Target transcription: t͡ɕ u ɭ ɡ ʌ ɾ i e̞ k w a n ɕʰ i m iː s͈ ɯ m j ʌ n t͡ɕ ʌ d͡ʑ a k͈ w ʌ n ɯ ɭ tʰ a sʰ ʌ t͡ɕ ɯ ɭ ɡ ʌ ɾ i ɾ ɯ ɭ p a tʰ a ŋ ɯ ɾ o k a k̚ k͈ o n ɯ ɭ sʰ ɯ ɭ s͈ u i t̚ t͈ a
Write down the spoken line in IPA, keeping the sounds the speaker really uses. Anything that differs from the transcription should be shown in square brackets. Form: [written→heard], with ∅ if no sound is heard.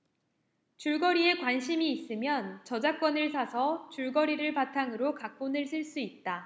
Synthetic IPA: t͡ɕ u ɭ ɡ ʌ ɾ i e̞ k w a n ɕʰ i m iː s͈ ɯ m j ʌ n t͡ɕ ʌ d͡ʑ a k͈ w ʌ n ɯ ɭ [tʰ→sʰ] a sʰ ʌ t͡ɕ [ɯ→u] ɭ ɡ ʌ ɾ i ɾ ɯ ɭ p a tʰ a ŋ ɯ ɾ o k a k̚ k͈ o n ɯ ɭ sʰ ɯ ɭ s͈ u i t̚ t͈ a